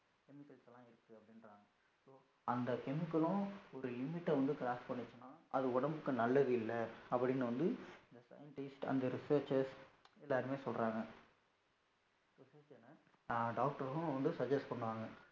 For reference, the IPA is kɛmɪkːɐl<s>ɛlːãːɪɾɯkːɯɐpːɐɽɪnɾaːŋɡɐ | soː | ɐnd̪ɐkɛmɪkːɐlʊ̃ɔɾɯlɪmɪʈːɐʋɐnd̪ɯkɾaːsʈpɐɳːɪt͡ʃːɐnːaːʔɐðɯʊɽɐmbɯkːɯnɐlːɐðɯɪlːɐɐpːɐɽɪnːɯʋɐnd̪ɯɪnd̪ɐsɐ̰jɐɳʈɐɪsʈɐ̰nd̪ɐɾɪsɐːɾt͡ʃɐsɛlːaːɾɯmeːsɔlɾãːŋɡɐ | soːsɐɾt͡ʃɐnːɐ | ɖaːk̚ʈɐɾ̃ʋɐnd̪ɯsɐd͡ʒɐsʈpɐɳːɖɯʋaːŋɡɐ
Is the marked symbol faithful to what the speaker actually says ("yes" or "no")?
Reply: yes